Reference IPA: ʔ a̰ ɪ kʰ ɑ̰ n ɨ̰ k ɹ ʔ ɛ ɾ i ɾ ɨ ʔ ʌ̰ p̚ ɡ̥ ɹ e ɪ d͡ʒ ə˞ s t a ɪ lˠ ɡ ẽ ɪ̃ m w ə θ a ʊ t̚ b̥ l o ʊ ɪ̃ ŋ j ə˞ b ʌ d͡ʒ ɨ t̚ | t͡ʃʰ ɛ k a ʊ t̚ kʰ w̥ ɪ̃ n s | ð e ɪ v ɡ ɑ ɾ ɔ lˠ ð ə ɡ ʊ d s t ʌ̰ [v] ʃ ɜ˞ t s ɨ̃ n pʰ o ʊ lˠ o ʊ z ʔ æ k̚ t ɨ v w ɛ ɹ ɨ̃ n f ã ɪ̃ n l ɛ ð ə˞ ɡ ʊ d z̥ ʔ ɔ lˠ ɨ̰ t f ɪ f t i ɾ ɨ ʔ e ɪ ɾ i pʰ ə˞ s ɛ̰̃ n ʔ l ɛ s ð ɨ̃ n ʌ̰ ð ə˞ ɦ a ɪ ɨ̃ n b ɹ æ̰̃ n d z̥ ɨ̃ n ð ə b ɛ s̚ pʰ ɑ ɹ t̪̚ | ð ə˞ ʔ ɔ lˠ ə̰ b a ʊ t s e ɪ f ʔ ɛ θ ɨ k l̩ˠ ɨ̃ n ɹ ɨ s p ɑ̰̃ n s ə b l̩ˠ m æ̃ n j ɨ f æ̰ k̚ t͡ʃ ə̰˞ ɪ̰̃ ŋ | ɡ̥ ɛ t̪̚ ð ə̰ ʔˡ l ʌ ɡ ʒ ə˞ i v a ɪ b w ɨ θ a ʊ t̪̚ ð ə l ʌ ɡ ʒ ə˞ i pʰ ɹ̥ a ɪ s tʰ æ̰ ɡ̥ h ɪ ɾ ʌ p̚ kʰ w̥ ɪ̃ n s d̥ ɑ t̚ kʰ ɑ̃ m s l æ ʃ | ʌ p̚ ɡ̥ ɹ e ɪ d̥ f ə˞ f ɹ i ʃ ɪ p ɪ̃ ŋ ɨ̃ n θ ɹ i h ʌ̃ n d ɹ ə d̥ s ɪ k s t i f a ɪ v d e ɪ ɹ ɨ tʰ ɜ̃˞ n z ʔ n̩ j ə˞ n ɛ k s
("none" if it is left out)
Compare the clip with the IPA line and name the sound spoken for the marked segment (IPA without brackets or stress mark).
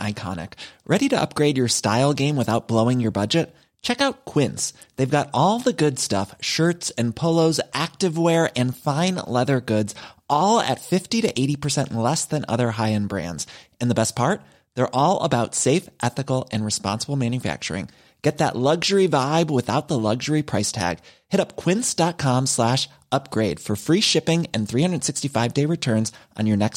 f